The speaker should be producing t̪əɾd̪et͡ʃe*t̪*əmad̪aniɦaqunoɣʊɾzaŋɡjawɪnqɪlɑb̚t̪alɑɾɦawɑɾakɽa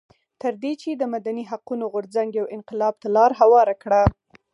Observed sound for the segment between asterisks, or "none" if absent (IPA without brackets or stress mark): d̪